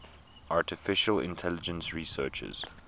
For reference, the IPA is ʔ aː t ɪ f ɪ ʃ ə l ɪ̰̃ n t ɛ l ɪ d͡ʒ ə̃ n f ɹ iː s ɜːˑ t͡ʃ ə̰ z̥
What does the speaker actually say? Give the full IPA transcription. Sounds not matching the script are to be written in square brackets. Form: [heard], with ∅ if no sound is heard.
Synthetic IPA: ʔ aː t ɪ f ɪ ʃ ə l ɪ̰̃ n [tʰ] ɛ l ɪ d͡ʒ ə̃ n [s] ɹ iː s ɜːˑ t͡ʃ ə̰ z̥